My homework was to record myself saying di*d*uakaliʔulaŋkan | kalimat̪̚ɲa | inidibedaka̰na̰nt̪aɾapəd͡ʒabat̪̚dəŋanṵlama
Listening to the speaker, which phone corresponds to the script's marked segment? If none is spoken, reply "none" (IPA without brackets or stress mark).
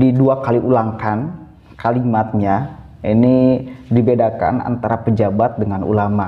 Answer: d